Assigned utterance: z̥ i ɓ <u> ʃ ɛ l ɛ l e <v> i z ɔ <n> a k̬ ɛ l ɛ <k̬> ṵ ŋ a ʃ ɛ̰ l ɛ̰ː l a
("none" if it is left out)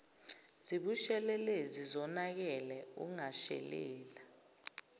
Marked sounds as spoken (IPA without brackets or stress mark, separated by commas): u, z, n, none